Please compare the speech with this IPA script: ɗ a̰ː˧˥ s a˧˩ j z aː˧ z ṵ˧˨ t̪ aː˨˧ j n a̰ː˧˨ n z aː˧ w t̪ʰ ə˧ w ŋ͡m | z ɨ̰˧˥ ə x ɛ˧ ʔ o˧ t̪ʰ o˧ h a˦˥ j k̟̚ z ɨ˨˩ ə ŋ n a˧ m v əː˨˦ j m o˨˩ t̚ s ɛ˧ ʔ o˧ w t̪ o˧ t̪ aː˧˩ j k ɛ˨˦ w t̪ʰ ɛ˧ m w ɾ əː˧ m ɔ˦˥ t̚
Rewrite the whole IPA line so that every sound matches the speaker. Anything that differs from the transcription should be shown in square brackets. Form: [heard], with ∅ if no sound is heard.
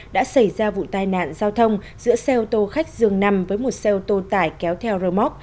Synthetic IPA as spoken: ɗ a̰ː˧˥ s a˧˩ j z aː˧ [v] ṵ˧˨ t̪ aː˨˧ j n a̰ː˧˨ n z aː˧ w t̪ʰ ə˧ w ŋ͡m | z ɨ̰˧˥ ə [s] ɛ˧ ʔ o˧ [t̪] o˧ [x] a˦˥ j k̟̚ z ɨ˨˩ ə ŋ n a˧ m v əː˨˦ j m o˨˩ t̚ s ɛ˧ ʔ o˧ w t̪ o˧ t̪ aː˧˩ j k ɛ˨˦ w t̪ʰ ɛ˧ [∅] w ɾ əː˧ m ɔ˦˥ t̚